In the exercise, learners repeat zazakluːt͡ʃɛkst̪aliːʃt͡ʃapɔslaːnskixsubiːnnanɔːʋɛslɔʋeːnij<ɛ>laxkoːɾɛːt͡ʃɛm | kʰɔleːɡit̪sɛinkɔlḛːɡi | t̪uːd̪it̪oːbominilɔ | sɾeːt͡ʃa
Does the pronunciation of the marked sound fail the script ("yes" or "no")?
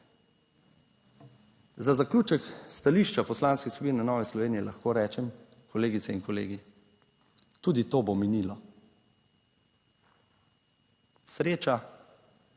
no